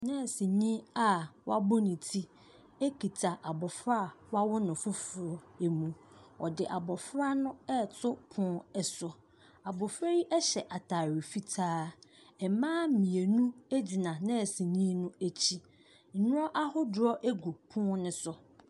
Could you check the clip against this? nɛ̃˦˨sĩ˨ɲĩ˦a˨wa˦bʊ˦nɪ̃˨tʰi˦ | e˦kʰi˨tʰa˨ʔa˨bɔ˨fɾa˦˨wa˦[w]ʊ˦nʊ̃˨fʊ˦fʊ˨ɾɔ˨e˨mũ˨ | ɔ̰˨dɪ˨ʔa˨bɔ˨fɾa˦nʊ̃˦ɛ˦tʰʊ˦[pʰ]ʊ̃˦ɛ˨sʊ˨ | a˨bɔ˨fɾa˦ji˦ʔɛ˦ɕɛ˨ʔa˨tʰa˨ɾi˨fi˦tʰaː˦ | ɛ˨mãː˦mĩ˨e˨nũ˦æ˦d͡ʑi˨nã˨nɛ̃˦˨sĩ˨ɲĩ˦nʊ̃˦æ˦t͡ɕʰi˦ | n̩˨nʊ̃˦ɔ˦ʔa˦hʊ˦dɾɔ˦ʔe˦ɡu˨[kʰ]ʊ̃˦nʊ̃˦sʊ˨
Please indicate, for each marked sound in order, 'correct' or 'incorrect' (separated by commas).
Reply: correct, correct, incorrect